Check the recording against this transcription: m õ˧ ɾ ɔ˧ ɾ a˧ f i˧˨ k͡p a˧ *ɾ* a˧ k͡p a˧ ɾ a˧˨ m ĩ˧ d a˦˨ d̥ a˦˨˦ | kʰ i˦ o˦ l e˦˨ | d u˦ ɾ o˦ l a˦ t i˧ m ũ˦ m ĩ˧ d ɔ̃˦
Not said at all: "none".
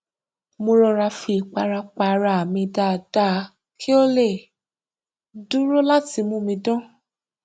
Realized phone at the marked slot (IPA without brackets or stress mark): ɾ